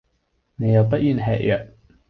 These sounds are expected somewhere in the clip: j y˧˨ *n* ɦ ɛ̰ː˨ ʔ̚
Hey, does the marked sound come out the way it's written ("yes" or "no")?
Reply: yes